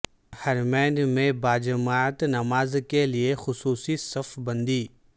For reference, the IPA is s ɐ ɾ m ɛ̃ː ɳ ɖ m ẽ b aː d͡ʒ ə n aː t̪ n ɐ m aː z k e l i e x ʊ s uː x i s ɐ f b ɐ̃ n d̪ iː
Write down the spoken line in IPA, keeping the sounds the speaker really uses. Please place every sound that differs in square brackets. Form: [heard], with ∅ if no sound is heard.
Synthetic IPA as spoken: [h] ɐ ɾ m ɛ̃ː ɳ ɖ m ẽ b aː d͡ʒ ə [m] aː t̪ n ɐ m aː z k e l i e x ʊ s uː [s] i s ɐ f b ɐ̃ n d̪ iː

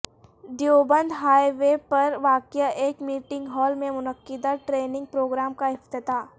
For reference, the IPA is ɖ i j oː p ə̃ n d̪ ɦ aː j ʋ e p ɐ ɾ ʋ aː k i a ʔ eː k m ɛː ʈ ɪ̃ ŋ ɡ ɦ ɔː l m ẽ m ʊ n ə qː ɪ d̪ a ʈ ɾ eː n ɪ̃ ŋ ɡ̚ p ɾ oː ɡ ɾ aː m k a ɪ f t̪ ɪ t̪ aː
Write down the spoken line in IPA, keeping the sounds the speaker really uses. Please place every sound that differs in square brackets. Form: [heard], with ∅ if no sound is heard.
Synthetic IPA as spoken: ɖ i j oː [b] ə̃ n d̪ ɦ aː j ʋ e p ɐ ɾ ʋ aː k [j] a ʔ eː k m [iː] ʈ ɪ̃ ŋ ɡ ɦ ɔː l m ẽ m ʊ n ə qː ɪ d̪ a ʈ ɾ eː n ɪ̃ ŋ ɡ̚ p ɾ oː ɡ ɾ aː m k a ɪ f t̪ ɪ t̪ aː

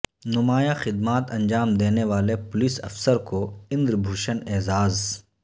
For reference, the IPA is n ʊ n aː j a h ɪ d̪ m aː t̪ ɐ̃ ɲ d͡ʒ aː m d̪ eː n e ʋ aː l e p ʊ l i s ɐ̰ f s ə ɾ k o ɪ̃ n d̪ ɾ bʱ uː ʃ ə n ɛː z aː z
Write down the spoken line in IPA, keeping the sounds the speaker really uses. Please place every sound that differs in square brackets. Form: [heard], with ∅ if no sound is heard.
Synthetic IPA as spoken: n ʊ [m] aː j a [x] ɪ d̪ m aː t̪ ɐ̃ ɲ d͡ʒ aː m d̪ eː n e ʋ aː l e p ʊ l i s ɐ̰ f s ə ɾ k o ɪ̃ n d̪ ɾ bʱ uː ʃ ə n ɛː z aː z

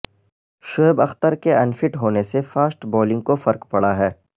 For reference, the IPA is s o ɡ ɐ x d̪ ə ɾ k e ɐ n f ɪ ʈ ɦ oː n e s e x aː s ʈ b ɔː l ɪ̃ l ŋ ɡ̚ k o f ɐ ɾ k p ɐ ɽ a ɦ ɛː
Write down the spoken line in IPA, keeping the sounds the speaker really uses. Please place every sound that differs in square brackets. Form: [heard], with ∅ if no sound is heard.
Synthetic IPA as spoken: [ʃ] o [b] ɐ x [t̪] ə ɾ k e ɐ n f ɪ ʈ ɦ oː n e s e [f] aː s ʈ b ɔː l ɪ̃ [∅] ŋ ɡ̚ k o f ɐ ɾ k p ɐ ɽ a ɦ ɛː

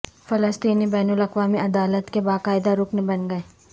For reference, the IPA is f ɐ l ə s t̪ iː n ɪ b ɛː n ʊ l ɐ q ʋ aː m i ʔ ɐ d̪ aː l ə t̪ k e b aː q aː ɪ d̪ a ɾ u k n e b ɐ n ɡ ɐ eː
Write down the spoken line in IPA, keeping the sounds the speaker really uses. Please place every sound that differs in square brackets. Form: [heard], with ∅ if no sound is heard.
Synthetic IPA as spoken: f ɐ l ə s t̪ iː n [i] b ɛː n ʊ l ɐ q ʋ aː m i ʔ ɐ d̪ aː l ə t̪ k e b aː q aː ɪ d̪ a ɾ [ʊ] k n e b ɐ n ɡ ɐ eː

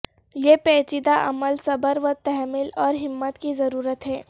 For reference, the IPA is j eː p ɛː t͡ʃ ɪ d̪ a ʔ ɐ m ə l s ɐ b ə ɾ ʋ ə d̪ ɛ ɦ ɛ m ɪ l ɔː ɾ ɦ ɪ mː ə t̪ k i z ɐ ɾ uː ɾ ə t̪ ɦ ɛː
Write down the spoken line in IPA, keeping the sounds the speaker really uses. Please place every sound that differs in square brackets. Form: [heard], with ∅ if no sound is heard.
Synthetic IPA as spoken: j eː p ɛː t͡ʃ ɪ d̪ a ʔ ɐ m ə l s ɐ b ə ɾ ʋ ə [t̪] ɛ ɦ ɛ m ɪ l ɔː ɾ ɦ ɪ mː ə t̪ k i z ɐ ɾ uː ɾ ə t̪ ɦ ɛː

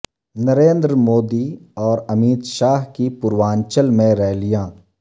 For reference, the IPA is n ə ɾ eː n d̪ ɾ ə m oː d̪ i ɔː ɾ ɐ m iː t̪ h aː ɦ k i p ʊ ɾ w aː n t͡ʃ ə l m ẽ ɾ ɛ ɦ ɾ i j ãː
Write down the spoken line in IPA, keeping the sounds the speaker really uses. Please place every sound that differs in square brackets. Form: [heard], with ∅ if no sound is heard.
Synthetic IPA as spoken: n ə ɾ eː n d̪ ɾ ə m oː d̪ i ɔː ɾ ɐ m iː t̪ [ʃ] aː ɦ k i p ʊ ɾ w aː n t͡ʃ ə l m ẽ ɾ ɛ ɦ [l] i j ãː

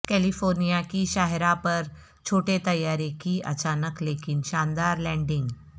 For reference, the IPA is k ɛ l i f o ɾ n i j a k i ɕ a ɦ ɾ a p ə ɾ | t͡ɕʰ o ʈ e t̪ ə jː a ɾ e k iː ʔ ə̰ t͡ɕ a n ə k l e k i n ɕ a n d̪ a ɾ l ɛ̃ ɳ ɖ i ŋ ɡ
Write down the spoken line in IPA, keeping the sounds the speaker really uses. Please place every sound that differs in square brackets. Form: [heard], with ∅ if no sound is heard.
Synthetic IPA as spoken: k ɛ l i f o ɾ n i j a k i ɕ a ɦ ɾ a p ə ɾ | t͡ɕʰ o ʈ e t̪ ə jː a ɾ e k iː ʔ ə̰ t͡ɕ a n ə k l e k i n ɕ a n d̪ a ɾ l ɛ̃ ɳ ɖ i ŋ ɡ

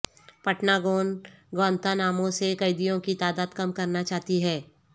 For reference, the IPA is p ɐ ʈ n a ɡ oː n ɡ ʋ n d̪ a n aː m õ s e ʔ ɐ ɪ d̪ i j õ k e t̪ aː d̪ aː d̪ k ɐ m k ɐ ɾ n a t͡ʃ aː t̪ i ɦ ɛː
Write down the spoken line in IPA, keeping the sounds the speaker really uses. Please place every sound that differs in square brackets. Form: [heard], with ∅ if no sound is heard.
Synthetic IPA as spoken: p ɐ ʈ n a ɡ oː n ɡ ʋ n [t̪] a n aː m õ s e [k] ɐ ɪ d̪ i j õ k [i] t̪ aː d̪ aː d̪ k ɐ m k ɐ ɾ n a t͡ʃ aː t̪ i ɦ ɛː

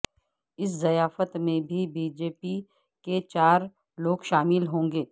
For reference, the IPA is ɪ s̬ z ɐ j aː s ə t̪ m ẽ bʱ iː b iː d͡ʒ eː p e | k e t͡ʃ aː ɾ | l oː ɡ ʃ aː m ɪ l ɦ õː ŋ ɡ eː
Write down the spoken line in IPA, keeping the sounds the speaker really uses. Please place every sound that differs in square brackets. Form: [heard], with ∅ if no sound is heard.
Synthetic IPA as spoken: ɪ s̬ z ɐ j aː [f] ə t̪ m ẽ bʱ [i] b iː d͡ʒ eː p [i] | k e t͡ʃ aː ɾ | l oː ɡ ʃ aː m ɪ l ɦ õː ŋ ɡ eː

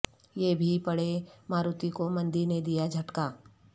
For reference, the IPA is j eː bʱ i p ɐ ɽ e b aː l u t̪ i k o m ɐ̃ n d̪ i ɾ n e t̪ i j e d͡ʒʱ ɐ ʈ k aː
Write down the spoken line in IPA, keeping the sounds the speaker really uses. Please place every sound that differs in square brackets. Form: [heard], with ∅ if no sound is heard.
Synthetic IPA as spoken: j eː bʱ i p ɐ ɽ e [m] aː [ɾ] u t̪ i k o m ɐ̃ n d̪ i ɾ n e [d̪] i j [a] d͡ʒʱ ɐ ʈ k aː

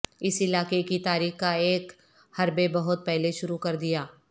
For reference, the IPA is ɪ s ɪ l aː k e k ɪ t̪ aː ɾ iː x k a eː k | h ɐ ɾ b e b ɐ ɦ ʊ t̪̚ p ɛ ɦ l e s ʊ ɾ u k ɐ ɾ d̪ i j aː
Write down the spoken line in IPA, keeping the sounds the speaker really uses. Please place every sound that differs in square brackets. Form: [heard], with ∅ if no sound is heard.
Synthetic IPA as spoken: ɪ s ɪ l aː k e k [i] t̪ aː ɾ iː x k a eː k | h ɐ ɾ b e b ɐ ɦ ʊ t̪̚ p ɛ ɦ l e [ʃ] ʊ ɾ u k ɐ ɾ d̪ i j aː

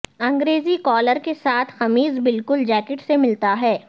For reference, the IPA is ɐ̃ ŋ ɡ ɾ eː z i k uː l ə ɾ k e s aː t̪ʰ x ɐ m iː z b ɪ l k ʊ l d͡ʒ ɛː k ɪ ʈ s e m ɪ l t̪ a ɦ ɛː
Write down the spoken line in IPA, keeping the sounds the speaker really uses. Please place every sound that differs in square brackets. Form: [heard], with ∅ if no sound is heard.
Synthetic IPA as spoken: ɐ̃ ŋ ɡ ɾ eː z i k [ɔː] l ə ɾ k e s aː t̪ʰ x ɐ m iː z b ɪ l k ʊ l d͡ʒ ɛː k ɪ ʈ s e m ɪ l t̪ a ɦ ɛː

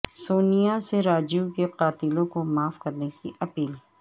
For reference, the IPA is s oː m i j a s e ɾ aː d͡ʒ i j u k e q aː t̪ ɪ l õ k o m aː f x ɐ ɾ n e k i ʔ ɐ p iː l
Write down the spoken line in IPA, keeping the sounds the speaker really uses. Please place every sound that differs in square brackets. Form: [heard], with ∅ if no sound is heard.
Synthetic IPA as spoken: s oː [n] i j a s e ɾ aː d͡ʒ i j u k e q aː t̪ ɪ l õ k o m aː f [k] ɐ ɾ n e k i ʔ ɐ p iː l

